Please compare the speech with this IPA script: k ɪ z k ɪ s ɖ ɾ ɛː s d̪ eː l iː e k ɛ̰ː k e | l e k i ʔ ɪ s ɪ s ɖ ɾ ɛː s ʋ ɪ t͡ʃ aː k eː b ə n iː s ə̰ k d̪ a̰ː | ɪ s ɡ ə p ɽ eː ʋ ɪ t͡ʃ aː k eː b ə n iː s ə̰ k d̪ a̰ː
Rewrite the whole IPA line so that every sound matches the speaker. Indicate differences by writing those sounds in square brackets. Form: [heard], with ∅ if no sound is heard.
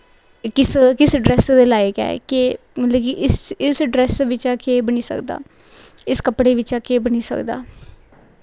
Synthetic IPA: k ɪ [s] k ɪ s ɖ ɾ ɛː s d̪ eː l [aː] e k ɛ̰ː k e | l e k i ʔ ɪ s ɪ s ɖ ɾ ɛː s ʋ ɪ t͡ʃ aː k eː b ə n iː s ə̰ k d̪ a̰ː | ɪ s [k] ə p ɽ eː ʋ ɪ t͡ʃ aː k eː b ə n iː s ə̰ k d̪ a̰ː